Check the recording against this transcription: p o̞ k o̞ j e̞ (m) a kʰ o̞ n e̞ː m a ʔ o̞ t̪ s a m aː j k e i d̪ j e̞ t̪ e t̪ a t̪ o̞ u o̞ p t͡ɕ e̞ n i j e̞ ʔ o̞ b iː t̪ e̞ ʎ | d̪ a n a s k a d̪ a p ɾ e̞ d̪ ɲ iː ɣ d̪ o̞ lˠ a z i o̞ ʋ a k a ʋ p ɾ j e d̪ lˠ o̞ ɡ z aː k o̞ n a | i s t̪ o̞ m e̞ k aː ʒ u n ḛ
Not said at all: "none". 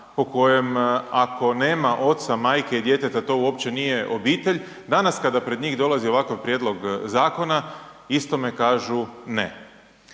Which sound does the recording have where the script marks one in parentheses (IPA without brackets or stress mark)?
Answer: m